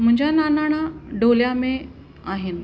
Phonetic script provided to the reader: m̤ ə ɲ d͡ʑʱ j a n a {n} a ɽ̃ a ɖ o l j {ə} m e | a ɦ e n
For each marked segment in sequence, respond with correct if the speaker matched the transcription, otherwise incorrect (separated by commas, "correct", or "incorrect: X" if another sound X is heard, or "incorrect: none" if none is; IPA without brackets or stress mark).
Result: correct, incorrect: a